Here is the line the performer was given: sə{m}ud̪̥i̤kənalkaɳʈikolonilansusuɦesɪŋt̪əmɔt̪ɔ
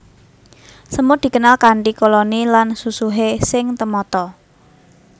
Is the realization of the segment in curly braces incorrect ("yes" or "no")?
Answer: no